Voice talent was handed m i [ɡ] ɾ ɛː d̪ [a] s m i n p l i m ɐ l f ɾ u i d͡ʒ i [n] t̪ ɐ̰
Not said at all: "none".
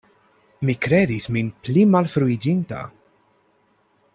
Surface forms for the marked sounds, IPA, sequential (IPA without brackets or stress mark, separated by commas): k, i, n